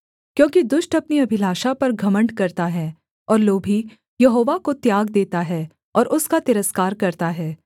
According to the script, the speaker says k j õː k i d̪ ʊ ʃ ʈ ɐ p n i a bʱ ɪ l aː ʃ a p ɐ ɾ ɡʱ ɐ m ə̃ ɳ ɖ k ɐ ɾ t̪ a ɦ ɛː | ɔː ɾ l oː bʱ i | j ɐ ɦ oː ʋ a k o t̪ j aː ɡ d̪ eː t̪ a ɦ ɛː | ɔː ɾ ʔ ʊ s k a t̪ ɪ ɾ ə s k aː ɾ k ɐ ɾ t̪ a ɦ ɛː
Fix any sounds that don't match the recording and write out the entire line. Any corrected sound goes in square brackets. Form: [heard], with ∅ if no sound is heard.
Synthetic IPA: k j õː k i d̪ ʊ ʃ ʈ ɐ p n i [ɐ] bʱ ɪ l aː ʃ a p ɐ ɾ ɡʱ ɐ m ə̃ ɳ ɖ k ɐ ɾ t̪ a ɦ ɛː | ɔː ɾ l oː bʱ i | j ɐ ɦ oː ʋ a k o t̪ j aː ɡ d̪ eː t̪ a ɦ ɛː | ɔː ɾ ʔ ʊ s k a t̪ ɪ ɾ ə s k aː ɾ k ɐ ɾ t̪ a ɦ ɛː

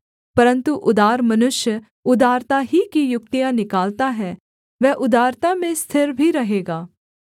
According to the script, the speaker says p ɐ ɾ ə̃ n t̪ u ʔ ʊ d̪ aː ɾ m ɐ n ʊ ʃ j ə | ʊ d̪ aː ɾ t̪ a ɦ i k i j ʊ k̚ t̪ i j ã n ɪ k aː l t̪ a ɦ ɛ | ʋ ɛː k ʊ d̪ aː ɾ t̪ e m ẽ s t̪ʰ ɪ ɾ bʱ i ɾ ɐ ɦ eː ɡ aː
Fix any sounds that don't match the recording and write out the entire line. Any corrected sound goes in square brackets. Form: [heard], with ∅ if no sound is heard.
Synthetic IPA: p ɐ ɾ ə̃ n t̪ u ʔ ʊ d̪ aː ɾ m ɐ n ʊ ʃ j ə | ʊ d̪ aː ɾ t̪ a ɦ i k i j ʊ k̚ t̪ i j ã n ɪ k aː l t̪ a ɦ ɛ | ʋ ɛː [ʔ] ʊ d̪ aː ɾ t̪ [a] m ẽ s t̪ʰ ɪ ɾ bʱ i ɾ ɐ ɦ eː ɡ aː

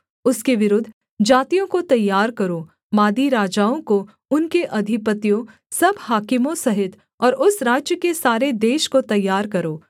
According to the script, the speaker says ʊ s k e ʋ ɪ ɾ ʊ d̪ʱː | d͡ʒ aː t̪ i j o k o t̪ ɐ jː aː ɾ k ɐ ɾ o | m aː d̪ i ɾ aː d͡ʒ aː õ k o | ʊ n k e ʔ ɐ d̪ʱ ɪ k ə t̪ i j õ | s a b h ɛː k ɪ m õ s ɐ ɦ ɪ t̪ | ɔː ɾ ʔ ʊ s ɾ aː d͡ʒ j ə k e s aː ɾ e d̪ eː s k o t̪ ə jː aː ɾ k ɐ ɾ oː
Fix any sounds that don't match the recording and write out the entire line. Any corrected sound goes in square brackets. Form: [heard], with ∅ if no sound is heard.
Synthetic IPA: ʊ s k e ʋ ɪ ɾ ʊ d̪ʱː | d͡ʒ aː t̪ i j [õ] k o t̪ ɐ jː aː ɾ k ɐ ɾ o | m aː d̪ i ɾ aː d͡ʒ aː õ k o | ʊ n k e ʔ ɐ d̪ʱ ɪ [p] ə t̪ i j õ | s [ɐ] b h [aː] k ɪ m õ s ɐ ɦ ɪ t̪ | ɔː ɾ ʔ ʊ s ɾ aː d͡ʒ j ə k e s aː ɾ e d̪ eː [ʃ] k o t̪ [ɐ] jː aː ɾ k ɐ ɾ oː

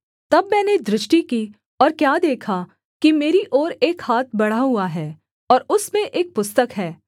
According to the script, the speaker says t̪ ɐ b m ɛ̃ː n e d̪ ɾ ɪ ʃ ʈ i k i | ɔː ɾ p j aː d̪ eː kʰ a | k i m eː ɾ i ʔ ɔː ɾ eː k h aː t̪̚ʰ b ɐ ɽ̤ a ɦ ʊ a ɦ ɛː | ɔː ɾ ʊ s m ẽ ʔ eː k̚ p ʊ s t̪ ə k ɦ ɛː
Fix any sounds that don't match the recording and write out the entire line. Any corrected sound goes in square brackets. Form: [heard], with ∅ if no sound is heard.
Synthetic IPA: t̪ ɐ b m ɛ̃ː n e d̪ ɾ ɪ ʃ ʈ i k i | ɔː ɾ [k] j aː d̪ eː kʰ a | k i m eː ɾ i ʔ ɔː ɾ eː k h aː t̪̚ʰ b ɐ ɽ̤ a ɦ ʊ a ɦ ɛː | ɔː ɾ ʊ s m ẽ ʔ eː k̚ p ʊ s t̪ ə k ɦ ɛː

